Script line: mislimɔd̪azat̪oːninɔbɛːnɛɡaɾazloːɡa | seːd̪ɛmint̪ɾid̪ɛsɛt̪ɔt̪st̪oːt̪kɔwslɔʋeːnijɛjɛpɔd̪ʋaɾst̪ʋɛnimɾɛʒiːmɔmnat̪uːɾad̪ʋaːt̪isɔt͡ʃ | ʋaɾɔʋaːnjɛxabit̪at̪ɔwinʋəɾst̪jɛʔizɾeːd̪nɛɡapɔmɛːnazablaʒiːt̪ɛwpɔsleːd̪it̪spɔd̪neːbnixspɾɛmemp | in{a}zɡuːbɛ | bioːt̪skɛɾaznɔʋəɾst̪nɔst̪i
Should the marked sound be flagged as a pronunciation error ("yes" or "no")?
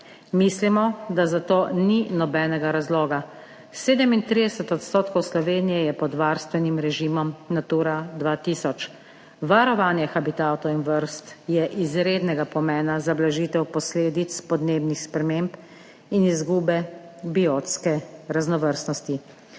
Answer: yes